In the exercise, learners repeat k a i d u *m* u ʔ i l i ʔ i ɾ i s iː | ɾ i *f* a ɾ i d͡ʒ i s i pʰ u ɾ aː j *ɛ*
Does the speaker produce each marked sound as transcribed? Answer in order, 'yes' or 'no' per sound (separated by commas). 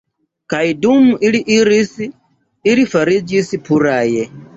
yes, yes, yes